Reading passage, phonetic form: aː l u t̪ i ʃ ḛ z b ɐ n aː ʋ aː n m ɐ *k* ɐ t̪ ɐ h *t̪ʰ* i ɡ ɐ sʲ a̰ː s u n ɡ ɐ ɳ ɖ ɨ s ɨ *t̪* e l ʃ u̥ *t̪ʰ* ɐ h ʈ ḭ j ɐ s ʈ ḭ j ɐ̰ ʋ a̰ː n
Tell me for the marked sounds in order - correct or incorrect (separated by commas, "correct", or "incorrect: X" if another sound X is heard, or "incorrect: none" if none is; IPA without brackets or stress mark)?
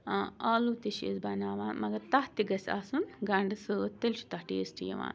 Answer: incorrect: ɡ, incorrect: t̪, correct, incorrect: t̪